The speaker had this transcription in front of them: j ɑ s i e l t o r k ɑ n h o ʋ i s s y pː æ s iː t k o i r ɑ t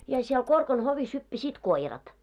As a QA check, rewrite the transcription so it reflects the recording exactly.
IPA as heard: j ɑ s i e l k o r k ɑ n h o ʋ i s h y pː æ s iː t k o i r ɑ t